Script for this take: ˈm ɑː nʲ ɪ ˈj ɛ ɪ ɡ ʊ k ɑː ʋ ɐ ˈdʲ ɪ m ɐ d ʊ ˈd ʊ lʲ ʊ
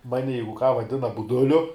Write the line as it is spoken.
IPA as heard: ˈm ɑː nʲ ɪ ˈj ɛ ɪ ɡ ʊ k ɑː ʋ ɐ ˈdʲ ɪ n ɐ b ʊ ˈd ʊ lʲ ʊ